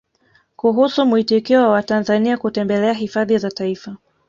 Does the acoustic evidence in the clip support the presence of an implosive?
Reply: no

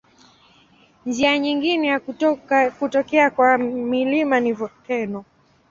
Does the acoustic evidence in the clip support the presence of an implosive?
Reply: no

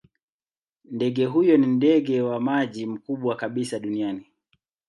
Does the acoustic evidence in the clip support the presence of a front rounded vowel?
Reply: no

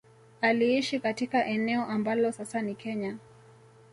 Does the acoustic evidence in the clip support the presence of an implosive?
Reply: no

